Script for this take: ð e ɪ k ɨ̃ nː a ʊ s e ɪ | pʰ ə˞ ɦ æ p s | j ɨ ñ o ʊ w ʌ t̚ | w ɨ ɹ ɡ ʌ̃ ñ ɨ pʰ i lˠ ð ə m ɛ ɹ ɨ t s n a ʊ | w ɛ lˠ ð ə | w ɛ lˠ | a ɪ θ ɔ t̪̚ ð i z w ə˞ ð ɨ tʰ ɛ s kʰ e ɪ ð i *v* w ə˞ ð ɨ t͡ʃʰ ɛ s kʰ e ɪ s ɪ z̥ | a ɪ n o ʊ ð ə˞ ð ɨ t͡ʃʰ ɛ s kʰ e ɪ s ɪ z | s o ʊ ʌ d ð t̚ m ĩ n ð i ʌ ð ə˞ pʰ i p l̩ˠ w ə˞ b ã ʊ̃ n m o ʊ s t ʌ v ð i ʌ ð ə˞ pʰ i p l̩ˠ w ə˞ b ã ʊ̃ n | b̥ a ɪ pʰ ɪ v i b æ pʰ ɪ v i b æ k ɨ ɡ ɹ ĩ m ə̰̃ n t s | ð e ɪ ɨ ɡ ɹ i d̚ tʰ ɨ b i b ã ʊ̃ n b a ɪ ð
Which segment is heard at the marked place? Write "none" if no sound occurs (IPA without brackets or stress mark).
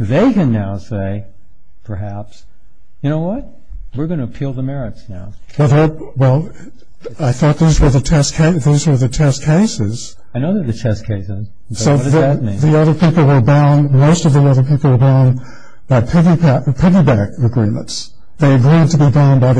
z